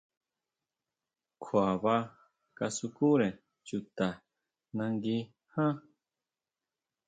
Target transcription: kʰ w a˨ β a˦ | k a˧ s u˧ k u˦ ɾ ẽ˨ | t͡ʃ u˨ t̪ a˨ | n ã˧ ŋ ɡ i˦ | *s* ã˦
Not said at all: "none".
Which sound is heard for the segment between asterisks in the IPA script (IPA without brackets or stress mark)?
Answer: h